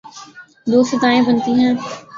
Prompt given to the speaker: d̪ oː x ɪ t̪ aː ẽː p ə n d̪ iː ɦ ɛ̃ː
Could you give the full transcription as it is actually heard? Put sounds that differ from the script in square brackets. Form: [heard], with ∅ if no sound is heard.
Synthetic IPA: d̪ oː [s] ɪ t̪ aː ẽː [b] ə n [t̪] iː ɦ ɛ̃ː